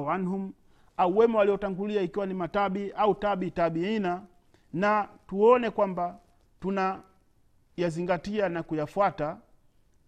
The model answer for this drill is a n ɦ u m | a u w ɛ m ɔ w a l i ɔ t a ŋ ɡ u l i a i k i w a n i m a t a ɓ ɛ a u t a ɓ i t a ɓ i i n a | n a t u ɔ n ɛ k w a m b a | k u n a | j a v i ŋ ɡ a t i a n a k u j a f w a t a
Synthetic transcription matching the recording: a n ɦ u m | a u w ɛ m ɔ w a l i ɔ t a ŋ ɡ u l i a i k i w a n i m a t a ɓ i a u t a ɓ i t a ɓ i i n a | n a t u ɔ n ɛ k w a m b a | t u n a | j a z i ŋ ɡ a t i a n a k u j a f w a t a